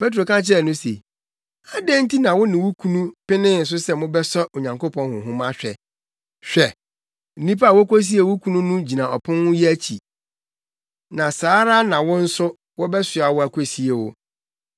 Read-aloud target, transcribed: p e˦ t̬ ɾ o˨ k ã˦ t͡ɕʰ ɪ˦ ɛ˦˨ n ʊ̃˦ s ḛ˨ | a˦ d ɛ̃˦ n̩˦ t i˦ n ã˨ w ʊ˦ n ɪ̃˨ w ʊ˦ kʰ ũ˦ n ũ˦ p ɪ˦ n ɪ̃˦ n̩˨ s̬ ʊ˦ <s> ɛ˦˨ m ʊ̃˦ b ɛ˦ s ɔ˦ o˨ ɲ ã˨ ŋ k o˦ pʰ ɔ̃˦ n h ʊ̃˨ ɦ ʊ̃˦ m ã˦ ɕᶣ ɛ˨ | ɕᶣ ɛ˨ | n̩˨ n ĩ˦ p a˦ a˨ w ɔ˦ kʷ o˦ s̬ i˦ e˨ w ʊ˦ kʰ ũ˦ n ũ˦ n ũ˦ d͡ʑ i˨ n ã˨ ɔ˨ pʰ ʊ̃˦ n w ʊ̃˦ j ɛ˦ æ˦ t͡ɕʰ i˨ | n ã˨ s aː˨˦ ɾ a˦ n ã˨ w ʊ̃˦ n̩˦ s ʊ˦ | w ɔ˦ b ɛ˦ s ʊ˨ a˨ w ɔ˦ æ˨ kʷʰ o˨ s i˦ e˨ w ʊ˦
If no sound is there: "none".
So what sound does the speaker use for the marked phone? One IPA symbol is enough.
s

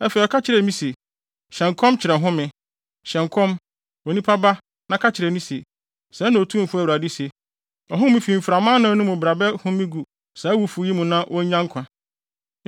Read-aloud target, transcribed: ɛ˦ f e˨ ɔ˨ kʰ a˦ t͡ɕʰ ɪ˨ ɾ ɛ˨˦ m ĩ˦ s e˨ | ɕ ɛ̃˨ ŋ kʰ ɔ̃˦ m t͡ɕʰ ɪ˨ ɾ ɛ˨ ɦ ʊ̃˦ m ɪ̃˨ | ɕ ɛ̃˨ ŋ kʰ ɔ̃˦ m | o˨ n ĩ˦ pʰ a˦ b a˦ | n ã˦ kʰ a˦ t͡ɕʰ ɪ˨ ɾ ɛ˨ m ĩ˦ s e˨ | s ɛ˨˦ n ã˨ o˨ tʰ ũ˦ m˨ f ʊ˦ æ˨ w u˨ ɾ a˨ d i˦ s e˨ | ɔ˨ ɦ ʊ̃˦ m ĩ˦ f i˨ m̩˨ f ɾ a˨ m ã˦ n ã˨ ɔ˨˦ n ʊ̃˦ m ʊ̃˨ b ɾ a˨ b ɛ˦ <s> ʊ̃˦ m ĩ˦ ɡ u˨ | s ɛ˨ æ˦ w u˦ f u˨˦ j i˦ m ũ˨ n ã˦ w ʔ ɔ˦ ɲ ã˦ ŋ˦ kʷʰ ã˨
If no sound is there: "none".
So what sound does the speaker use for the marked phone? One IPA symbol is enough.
h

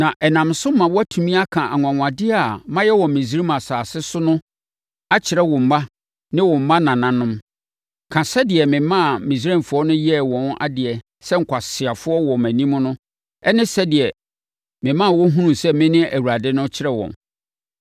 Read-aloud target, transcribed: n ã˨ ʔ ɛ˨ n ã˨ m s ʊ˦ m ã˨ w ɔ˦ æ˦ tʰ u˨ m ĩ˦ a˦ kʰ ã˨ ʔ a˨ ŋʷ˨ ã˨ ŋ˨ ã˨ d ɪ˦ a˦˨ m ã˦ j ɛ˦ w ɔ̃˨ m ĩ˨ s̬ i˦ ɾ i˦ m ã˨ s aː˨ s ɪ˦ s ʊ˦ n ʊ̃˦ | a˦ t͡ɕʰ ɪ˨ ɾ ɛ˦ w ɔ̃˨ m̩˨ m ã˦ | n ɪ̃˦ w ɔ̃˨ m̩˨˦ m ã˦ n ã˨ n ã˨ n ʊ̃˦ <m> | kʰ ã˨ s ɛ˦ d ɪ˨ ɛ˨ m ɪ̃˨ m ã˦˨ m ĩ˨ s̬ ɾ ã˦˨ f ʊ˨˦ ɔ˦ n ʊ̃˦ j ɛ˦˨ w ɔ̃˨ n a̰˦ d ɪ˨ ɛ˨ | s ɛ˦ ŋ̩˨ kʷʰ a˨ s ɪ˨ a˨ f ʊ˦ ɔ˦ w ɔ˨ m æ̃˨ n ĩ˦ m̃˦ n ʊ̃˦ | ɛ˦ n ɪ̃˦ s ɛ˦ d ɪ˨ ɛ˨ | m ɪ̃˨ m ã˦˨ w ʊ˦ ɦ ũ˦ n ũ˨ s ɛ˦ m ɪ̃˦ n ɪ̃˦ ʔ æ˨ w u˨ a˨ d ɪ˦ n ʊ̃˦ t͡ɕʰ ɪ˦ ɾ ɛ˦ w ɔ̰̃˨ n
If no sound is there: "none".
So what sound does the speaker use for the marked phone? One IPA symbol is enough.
m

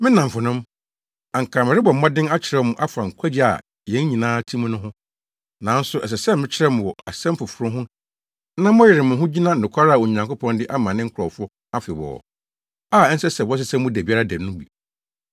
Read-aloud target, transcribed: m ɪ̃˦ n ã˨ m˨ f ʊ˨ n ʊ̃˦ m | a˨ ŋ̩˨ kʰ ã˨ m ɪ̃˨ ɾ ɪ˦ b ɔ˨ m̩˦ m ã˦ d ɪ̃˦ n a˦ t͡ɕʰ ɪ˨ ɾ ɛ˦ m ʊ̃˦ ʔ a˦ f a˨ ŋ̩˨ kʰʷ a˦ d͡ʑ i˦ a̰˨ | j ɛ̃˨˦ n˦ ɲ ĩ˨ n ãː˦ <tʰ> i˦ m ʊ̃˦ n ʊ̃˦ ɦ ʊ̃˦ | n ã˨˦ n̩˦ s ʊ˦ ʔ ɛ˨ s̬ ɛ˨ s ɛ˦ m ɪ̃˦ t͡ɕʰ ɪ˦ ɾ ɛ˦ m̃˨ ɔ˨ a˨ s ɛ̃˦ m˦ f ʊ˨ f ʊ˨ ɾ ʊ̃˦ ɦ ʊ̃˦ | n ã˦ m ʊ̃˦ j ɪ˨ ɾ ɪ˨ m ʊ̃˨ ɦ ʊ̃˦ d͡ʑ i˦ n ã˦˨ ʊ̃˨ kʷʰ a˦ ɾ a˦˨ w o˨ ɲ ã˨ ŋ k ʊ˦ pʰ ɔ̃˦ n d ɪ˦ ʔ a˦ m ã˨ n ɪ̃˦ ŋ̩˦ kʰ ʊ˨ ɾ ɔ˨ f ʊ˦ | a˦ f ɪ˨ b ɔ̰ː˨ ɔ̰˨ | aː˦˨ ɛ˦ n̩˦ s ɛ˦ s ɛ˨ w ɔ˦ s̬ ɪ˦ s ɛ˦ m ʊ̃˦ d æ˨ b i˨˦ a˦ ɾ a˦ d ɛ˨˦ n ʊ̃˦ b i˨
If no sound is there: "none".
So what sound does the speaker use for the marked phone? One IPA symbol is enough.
tʰ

